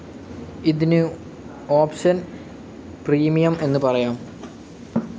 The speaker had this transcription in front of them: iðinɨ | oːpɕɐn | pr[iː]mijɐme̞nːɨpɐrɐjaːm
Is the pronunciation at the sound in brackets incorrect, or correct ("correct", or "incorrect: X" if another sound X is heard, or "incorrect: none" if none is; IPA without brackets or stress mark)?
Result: correct